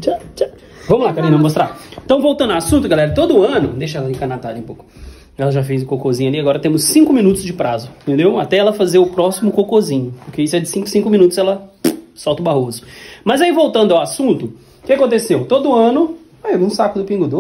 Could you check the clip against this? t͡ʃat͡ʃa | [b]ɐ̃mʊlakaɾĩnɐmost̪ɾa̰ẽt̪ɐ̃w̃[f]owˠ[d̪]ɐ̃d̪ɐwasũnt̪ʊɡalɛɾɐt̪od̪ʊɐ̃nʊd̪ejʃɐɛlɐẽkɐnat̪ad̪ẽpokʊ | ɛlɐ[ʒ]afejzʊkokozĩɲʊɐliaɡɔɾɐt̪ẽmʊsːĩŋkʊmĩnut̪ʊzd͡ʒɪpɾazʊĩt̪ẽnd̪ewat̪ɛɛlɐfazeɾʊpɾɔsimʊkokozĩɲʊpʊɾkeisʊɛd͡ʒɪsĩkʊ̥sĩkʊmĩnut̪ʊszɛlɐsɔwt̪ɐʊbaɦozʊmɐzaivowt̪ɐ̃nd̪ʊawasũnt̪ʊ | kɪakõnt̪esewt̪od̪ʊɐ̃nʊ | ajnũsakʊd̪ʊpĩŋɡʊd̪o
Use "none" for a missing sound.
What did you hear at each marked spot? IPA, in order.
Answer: v, v, t̪, ʒ

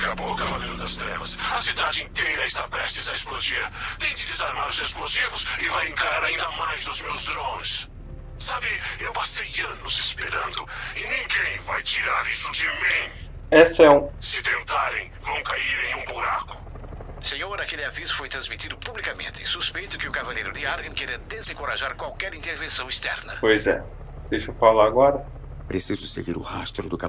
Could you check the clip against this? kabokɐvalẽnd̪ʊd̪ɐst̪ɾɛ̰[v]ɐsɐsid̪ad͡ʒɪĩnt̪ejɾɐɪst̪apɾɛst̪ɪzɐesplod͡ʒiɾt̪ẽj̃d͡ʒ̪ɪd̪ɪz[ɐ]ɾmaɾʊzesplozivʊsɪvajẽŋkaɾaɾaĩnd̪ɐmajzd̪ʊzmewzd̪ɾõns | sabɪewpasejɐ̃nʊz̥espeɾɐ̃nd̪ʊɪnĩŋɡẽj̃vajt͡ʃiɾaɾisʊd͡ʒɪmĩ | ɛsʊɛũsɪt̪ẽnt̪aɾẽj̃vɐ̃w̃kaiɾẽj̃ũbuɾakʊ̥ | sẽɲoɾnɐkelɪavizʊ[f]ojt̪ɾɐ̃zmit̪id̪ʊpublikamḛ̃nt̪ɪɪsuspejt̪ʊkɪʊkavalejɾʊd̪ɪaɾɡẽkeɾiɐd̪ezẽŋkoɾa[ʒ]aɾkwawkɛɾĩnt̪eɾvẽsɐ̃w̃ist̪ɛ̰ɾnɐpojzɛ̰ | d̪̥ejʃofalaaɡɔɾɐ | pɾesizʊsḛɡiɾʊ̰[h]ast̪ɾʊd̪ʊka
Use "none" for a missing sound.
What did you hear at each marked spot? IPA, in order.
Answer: v, a, f, ʒ, h

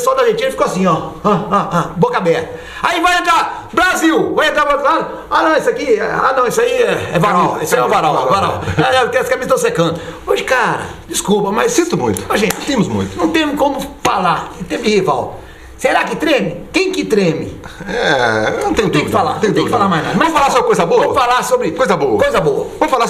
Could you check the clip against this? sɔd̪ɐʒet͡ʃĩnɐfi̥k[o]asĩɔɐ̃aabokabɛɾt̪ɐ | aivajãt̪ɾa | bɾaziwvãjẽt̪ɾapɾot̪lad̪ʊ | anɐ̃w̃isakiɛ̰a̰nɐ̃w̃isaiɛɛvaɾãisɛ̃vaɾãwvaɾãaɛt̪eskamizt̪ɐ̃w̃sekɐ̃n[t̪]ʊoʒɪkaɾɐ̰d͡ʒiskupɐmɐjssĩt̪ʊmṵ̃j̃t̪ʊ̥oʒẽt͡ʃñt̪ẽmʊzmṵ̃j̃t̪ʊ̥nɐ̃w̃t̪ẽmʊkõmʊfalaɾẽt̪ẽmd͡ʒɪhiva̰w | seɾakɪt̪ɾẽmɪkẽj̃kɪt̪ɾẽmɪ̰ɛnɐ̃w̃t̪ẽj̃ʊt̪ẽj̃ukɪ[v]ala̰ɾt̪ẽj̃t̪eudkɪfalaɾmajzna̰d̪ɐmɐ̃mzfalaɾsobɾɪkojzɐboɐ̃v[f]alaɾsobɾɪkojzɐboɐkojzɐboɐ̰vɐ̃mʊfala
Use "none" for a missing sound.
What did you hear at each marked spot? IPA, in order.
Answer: o, d̪, f, f

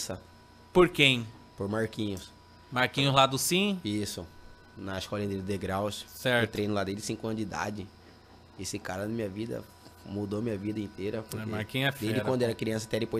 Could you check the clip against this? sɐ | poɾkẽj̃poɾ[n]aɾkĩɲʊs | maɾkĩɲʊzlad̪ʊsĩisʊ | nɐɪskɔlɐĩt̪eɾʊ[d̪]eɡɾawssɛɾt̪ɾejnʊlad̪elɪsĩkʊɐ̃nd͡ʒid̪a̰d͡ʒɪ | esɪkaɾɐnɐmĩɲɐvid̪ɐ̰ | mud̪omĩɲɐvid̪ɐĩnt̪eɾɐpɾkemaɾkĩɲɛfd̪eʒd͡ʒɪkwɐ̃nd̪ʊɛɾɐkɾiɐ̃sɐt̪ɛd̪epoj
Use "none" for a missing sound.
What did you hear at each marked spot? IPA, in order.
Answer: m, d̪

